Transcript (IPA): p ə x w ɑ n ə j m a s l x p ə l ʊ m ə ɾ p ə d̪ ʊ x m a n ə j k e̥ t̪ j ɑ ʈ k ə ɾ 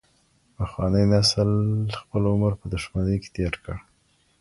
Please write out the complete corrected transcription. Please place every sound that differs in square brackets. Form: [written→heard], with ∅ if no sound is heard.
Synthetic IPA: p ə x w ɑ n ə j [m→n] a s l x p ə l ʊ m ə ɾ p ə d̪ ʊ [x→ʃ] m a n ə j k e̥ t̪ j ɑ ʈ k ə [ɾ→ɽ]